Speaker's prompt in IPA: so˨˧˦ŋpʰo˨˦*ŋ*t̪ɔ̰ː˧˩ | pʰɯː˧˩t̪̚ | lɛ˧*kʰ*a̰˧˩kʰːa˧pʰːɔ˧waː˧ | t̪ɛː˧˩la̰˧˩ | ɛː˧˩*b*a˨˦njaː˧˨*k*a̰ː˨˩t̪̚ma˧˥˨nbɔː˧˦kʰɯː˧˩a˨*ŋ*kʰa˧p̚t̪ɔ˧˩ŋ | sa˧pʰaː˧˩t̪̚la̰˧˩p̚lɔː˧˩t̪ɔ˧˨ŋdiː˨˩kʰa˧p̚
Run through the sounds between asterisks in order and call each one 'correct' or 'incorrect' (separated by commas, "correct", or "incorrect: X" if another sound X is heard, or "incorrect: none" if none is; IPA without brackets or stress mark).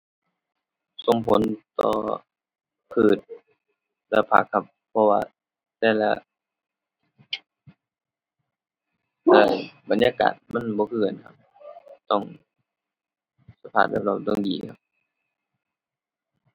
incorrect: n, incorrect: pʰ, correct, correct, incorrect: n